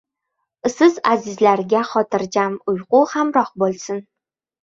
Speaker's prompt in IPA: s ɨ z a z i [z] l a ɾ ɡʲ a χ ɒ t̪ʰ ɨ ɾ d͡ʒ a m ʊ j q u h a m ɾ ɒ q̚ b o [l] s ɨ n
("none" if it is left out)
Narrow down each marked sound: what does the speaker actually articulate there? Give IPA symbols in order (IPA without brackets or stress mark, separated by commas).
z, l